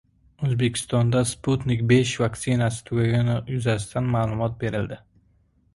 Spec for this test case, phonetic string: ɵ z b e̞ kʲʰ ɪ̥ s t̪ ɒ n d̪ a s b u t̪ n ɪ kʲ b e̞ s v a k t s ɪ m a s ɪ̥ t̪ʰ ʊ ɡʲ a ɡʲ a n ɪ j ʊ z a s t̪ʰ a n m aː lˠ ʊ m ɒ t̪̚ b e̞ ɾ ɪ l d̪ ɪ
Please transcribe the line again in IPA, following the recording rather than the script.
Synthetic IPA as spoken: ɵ z b e̞ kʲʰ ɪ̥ s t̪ ɒ n d̪ a s p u t̪ n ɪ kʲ b e̞ ʃ v a k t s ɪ n a s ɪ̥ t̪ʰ ʊ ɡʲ a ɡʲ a n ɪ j ʊ z a s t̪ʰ a n m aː lˠ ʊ m ɒ t̪̚ b e̞ ɾ ɪ l d̪ ɪ